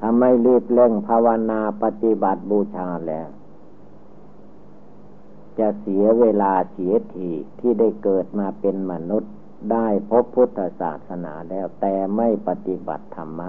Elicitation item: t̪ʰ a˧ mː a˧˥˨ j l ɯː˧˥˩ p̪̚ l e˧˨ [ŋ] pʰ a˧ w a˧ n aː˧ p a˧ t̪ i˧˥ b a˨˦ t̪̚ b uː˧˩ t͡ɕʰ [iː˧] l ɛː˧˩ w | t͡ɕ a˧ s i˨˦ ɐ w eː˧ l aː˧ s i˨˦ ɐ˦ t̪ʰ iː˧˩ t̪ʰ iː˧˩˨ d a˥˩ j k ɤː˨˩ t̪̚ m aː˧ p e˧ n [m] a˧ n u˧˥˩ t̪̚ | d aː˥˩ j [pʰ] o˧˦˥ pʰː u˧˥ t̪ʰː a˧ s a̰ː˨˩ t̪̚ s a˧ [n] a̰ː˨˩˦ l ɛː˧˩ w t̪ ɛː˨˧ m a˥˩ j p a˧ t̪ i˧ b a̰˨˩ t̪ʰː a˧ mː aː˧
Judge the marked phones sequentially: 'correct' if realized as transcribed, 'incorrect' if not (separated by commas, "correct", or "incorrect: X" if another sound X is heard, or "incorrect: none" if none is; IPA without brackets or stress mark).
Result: correct, incorrect: aː˧, correct, correct, correct